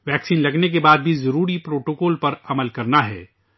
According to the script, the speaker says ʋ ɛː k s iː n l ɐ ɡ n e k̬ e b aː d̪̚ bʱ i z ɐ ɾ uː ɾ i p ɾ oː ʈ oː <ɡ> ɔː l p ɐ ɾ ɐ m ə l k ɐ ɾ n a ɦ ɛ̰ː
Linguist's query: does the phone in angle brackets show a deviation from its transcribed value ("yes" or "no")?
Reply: yes